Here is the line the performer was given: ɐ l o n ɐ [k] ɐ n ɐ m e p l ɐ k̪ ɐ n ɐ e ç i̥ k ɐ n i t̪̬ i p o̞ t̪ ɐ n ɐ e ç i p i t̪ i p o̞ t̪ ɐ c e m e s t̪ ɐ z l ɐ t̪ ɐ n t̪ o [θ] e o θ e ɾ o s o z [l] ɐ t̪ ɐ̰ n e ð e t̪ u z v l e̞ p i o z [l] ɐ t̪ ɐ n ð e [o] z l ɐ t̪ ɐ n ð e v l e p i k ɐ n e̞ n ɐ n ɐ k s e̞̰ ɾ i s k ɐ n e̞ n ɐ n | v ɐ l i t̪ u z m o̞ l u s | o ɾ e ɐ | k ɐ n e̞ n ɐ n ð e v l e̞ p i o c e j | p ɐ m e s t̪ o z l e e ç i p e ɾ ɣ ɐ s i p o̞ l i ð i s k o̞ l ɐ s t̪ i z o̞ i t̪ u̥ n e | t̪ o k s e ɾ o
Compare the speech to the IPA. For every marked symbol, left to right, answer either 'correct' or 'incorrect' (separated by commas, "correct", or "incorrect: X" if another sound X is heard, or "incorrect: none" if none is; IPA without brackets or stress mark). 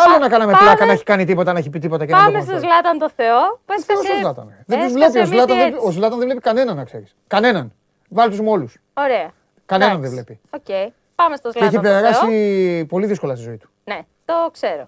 correct, correct, correct, correct, correct